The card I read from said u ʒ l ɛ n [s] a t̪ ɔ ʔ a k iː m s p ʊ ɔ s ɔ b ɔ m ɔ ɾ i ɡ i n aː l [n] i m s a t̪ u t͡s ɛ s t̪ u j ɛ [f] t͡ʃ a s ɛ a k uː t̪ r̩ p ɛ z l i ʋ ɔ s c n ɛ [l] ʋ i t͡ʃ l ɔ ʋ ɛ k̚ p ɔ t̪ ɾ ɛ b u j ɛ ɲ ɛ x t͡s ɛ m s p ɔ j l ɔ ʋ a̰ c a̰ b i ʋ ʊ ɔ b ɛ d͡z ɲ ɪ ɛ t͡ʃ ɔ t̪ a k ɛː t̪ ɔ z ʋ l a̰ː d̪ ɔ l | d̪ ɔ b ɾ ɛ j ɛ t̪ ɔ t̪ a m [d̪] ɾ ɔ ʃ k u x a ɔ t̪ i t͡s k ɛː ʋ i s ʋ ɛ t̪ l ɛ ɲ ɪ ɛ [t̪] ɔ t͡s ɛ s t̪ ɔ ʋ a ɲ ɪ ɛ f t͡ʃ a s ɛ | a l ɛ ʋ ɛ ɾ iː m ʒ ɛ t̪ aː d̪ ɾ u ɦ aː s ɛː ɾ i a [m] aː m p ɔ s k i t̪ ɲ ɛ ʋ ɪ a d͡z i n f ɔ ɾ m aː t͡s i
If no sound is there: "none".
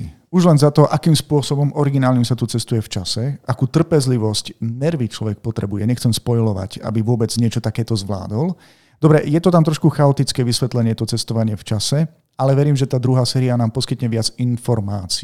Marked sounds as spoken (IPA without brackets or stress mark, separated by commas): z, ɲ, f, ɾ, t̪, t̪, n